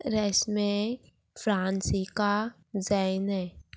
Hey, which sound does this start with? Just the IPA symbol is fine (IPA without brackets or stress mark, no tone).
ɾ